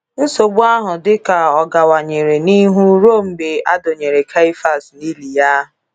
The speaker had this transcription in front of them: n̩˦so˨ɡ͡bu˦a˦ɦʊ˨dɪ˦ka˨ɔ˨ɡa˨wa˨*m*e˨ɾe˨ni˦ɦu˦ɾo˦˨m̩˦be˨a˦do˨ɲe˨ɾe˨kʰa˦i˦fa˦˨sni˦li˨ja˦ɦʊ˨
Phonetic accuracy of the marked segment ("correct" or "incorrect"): incorrect